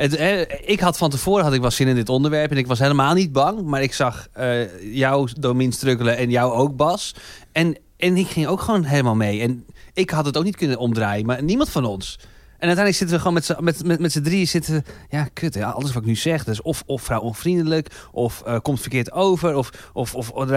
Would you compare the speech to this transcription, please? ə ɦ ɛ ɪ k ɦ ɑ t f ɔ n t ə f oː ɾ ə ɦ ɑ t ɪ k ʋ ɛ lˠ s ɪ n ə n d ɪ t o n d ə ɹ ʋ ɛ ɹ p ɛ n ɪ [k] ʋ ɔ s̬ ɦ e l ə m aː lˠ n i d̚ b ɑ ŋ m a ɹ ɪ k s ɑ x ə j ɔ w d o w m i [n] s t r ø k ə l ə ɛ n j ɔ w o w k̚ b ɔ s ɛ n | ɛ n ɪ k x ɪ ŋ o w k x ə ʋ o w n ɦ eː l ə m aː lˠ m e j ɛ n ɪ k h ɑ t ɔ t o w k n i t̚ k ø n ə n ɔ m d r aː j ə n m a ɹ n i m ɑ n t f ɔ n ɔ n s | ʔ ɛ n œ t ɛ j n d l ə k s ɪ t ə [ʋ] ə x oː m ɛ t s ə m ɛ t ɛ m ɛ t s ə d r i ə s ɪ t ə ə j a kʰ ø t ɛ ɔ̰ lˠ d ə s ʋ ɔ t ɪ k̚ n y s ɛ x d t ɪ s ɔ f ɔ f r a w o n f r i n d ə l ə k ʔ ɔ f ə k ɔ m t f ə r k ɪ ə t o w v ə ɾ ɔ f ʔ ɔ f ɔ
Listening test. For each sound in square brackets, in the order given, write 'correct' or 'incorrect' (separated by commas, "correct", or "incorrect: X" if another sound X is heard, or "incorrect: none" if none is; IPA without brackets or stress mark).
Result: correct, correct, correct